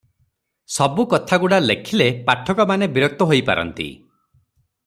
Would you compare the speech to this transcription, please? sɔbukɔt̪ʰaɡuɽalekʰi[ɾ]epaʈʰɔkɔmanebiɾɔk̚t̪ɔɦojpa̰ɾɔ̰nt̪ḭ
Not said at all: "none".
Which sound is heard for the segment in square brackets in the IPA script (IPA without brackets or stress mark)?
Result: l